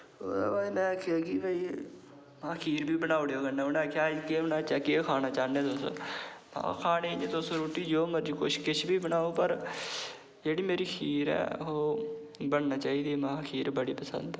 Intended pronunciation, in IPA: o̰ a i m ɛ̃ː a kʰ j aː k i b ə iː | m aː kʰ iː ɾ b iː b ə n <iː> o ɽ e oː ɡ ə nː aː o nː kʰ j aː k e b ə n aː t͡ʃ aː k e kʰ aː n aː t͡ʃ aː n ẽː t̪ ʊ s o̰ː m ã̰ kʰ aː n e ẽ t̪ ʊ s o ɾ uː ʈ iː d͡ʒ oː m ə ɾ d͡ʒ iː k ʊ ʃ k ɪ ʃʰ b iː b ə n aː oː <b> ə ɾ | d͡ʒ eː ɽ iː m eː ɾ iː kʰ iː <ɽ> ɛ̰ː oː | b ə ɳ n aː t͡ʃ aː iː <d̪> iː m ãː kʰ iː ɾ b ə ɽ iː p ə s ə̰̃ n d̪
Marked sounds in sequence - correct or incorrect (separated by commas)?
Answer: incorrect, incorrect, incorrect, correct